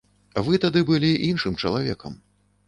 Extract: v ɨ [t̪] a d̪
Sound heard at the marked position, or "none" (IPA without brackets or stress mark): t̪